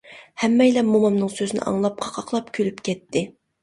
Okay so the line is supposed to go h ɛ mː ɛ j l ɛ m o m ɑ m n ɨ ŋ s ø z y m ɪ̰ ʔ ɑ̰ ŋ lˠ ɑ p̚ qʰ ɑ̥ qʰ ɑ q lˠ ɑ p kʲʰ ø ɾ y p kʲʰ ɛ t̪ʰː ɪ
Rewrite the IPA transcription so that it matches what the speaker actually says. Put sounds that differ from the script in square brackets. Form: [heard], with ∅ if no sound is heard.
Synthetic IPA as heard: h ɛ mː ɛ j l ɛ m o m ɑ m n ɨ ŋ s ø z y [n] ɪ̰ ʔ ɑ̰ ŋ lˠ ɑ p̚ qʰ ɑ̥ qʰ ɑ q lˠ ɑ p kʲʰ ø [l] y p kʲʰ ɛ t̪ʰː ɪ